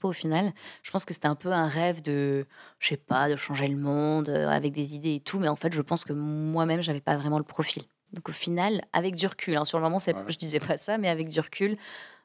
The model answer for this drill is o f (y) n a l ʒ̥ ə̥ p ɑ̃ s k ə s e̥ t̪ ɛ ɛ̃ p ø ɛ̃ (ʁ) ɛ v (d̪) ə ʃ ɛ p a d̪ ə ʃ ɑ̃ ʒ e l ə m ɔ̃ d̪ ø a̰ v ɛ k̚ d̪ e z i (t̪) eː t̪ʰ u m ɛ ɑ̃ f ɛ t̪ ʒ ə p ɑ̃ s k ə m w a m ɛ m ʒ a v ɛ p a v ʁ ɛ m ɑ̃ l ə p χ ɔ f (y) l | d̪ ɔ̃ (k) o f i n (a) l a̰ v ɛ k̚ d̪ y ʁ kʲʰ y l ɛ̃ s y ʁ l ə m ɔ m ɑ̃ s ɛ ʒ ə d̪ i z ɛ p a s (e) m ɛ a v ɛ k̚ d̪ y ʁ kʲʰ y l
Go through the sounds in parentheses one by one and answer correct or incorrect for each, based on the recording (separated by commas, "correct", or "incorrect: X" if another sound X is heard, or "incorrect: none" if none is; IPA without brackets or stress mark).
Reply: incorrect: i, correct, correct, incorrect: d̪, incorrect: i, correct, correct, incorrect: a